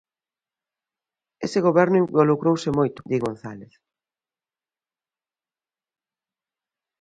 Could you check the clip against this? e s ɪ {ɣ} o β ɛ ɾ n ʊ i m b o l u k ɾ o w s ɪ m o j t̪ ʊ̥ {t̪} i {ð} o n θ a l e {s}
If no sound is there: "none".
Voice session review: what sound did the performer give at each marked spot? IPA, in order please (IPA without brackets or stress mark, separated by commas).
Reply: ɣ, d̪, ɣ, θ